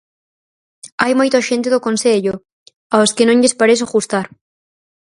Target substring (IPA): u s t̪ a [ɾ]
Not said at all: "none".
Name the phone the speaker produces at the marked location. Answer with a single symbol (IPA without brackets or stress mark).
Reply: ɾ